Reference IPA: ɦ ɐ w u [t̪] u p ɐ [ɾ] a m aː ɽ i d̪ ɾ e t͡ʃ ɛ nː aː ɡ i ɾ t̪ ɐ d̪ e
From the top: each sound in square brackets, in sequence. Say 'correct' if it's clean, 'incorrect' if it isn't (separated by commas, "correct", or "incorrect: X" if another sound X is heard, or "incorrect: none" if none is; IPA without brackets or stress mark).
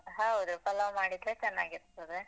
incorrect: d̪, incorrect: l